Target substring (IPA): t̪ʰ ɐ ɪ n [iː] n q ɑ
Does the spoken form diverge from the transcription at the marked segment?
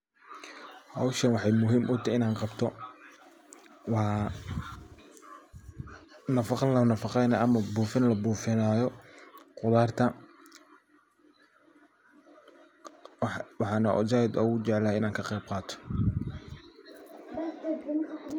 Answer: yes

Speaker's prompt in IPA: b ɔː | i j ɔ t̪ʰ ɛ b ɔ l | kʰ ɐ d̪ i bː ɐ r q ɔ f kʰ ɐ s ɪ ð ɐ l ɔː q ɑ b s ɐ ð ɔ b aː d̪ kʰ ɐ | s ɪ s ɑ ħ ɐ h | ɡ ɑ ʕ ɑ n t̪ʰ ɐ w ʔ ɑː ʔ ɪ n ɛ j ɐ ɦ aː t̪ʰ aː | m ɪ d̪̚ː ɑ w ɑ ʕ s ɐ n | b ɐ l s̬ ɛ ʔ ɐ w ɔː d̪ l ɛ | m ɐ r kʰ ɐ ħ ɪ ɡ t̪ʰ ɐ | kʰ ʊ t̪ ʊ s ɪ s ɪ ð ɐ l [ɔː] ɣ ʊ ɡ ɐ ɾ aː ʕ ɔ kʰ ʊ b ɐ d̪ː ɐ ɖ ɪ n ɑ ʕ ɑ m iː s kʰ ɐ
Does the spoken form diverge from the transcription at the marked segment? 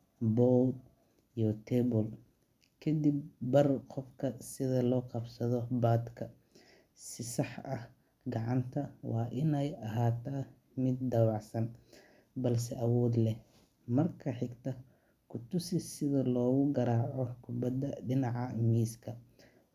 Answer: no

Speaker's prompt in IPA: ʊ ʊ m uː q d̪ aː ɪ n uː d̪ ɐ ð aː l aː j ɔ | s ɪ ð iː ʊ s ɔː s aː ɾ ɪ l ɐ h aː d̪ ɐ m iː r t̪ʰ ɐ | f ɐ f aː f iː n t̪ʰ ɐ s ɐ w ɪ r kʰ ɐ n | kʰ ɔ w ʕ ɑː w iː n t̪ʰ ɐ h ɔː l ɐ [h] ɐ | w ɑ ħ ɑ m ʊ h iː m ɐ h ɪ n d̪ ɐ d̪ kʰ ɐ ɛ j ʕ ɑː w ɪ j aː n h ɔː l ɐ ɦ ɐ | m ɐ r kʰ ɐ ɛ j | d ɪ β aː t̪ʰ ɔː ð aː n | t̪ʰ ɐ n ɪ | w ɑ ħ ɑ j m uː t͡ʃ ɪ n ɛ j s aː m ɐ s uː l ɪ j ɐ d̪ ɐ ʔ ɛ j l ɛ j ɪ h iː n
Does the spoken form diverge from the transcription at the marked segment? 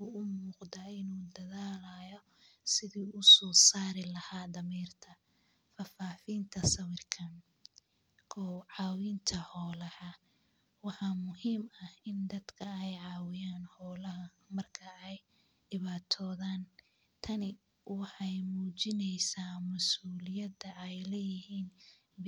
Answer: no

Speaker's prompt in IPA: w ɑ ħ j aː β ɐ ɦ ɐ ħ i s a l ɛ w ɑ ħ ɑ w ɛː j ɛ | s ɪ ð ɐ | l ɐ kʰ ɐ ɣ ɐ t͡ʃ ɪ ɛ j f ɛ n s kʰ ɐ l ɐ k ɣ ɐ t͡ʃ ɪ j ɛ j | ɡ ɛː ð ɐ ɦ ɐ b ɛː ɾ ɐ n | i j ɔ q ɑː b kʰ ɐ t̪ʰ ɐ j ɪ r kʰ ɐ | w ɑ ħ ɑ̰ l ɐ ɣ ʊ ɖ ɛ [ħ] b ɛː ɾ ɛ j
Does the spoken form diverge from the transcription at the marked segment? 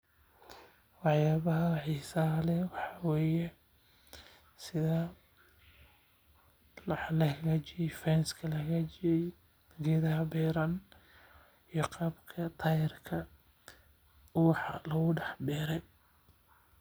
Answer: no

